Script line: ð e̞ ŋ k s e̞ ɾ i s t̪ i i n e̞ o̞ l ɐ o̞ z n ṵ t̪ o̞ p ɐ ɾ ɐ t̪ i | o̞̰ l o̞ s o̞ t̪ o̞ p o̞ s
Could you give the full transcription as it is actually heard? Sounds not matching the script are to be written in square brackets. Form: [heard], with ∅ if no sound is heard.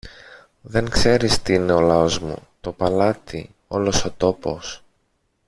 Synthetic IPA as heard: ð e̞ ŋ k s e̞ ɾ i s t̪ i i n e̞ o̞ l ɐ o̞ z [m] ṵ t̪ o̞ p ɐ [l] ɐ t̪ i | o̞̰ l o̞ s o̞ t̪ o̞ p o̞ s